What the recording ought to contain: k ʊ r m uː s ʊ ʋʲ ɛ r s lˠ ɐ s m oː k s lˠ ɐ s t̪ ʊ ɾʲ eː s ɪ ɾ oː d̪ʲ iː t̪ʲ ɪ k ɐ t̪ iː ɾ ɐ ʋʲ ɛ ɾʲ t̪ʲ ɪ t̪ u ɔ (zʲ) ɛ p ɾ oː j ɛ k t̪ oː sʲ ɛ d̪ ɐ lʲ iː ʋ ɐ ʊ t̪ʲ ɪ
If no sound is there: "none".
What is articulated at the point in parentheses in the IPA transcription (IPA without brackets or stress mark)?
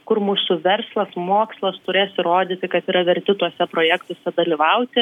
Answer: sʲ